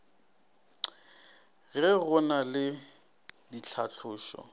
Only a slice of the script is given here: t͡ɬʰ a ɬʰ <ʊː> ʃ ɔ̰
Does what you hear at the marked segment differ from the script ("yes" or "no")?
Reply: no